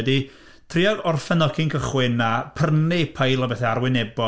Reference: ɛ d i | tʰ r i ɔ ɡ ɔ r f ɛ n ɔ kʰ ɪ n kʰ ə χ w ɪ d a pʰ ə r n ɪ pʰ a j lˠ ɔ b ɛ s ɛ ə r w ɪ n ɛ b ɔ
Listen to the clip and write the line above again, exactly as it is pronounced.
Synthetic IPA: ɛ d i | tʰ r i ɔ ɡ ɔ r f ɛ n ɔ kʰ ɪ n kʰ ə χ w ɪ n a pʰ ə r n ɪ pʰ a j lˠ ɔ b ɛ θ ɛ a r w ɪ n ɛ b ɔ

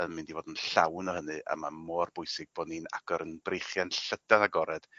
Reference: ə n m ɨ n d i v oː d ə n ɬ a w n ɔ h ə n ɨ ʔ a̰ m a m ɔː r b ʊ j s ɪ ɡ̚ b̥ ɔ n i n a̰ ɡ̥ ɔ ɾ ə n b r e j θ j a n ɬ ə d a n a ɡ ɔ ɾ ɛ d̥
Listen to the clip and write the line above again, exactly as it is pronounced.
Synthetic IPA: ə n m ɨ n d i v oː d ə n ɬ a w n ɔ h ə n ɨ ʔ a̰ m a m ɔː r b ʊ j s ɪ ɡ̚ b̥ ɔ n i n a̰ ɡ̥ ɔ ɾ ə n b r e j χ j a n ɬ ə d a n a ɡ ɔ ɾ ɛ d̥

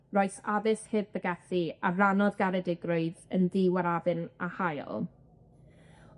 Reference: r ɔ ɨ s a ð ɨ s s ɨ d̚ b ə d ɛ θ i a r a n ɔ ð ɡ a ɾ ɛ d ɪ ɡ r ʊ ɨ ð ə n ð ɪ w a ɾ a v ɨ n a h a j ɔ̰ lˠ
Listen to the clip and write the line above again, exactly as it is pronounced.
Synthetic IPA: r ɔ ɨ s a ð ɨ s h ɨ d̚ b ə ɡ ɛ θ i a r a n ɔ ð ɡ a ɾ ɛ d ɪ ɡ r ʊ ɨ ð ə n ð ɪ w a ɾ a v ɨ n a h a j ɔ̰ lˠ

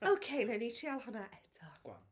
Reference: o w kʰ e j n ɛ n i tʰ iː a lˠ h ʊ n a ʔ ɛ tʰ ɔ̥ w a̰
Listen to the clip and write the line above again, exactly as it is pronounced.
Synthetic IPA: o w kʰ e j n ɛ n i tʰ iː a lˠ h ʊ n a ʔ ɛ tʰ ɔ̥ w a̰

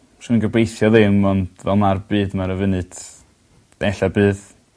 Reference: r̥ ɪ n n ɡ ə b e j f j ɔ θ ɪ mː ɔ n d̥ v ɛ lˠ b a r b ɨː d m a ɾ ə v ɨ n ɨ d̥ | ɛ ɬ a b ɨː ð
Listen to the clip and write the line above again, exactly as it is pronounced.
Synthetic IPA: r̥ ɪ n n ɡ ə b e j θ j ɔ ð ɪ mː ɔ n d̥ v ɛ lˠ m a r b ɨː d m a ɾ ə v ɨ n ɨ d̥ | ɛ ɬ a b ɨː ð

